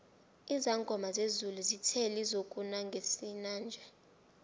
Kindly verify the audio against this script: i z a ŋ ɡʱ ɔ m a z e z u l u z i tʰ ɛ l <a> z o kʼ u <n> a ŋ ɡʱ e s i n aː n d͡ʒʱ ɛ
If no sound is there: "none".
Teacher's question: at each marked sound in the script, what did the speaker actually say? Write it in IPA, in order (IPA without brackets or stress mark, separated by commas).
i, n